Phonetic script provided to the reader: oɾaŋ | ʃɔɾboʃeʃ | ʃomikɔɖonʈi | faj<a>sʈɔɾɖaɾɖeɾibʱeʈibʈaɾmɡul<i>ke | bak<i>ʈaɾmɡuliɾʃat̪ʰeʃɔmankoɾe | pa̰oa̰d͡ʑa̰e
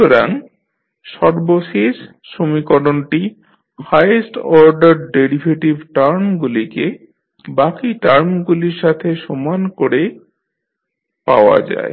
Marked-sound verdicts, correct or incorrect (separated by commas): incorrect, correct, correct